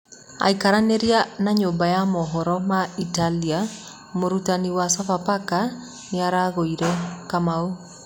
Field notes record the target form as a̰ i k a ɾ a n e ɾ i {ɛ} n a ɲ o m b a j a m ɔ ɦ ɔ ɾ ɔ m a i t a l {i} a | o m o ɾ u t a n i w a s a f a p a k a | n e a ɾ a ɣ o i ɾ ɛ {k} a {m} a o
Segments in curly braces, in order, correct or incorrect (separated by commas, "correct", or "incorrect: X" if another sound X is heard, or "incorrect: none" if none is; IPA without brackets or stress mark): incorrect: a, correct, correct, correct